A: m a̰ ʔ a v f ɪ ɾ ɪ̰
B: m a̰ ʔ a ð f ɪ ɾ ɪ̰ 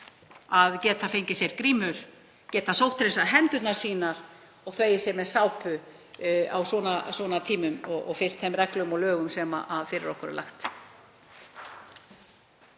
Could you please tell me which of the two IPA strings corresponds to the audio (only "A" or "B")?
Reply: B